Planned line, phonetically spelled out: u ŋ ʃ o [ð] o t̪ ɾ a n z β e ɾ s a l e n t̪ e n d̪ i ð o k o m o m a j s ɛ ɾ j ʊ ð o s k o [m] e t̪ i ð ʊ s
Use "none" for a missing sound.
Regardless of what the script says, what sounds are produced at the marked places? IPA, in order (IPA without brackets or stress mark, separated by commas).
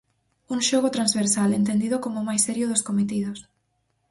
ɣ, m